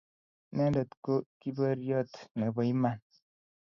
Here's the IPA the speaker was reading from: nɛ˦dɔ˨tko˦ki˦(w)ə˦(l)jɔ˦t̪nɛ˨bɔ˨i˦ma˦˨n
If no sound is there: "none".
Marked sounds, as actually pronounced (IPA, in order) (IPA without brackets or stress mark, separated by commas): b, ɾ